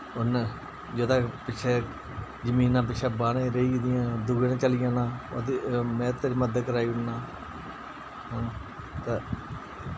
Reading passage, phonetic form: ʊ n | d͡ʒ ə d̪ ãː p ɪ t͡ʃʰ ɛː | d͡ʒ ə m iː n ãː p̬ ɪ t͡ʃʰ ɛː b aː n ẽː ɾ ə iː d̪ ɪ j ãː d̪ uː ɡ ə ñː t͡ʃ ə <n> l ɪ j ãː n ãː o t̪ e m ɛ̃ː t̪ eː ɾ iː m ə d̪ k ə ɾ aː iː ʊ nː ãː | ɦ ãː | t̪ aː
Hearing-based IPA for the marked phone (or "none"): none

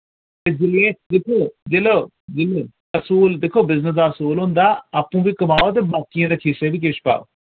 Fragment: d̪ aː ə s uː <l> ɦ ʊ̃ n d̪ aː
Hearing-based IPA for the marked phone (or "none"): l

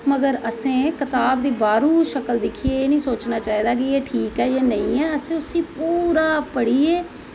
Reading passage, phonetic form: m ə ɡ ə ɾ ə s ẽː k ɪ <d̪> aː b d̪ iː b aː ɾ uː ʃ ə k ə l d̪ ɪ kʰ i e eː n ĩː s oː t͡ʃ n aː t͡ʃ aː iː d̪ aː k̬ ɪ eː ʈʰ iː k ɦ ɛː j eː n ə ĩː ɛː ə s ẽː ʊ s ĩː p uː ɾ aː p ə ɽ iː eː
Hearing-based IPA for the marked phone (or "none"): t̪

